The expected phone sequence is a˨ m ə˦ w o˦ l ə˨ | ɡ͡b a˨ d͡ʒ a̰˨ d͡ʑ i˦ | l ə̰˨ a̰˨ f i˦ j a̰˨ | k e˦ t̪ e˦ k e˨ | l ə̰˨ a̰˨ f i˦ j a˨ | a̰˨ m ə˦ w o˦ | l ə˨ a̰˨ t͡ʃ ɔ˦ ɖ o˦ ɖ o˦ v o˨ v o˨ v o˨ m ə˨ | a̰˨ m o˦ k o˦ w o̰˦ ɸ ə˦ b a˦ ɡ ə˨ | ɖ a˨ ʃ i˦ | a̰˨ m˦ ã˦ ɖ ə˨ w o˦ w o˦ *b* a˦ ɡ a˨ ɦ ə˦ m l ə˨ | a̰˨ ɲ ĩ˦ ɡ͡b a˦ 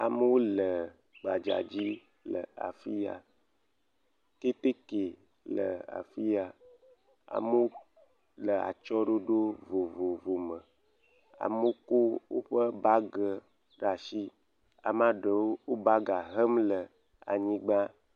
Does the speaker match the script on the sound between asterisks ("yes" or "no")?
yes